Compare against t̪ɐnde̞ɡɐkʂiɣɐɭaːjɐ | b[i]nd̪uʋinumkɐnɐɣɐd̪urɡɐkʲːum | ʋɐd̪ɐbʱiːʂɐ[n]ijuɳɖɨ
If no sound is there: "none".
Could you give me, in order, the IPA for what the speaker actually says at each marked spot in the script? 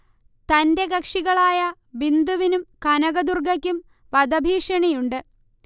i, ɳ

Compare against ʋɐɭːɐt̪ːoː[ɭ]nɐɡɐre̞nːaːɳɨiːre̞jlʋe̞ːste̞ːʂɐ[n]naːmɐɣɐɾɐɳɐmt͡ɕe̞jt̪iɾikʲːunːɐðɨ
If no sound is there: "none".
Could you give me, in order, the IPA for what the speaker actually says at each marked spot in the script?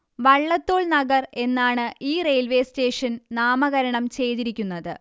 ɭ, n

